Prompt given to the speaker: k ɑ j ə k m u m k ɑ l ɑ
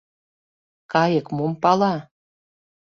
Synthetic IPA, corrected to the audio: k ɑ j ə k m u m p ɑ l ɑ